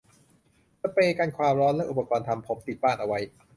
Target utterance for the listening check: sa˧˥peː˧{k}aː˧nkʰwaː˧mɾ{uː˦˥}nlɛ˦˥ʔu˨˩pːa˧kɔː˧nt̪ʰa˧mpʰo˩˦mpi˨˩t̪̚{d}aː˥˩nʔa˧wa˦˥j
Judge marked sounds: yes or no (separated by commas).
yes, no, no